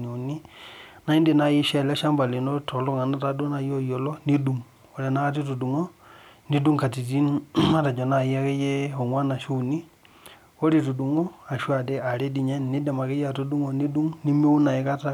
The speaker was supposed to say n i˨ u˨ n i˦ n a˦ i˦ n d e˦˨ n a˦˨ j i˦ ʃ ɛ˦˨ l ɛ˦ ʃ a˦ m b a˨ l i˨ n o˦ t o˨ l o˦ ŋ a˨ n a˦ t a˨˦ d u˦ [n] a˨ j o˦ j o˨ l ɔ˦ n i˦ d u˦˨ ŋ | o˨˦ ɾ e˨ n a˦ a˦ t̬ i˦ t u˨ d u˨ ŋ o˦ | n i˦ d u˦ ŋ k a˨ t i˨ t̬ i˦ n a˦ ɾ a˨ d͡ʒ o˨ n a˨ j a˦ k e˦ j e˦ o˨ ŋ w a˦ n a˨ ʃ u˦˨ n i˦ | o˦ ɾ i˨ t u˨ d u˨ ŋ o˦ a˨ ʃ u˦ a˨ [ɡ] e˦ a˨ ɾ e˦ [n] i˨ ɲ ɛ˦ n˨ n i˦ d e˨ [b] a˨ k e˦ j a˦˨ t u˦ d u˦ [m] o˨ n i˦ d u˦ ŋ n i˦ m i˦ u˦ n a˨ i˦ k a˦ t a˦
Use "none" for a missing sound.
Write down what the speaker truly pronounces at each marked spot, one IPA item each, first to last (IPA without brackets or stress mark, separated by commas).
n, d, d, m, ŋ